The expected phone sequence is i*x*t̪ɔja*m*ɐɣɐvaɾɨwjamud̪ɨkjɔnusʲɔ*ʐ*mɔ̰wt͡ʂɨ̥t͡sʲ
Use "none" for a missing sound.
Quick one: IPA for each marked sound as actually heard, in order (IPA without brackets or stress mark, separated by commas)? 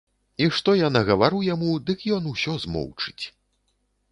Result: ʂ, n, z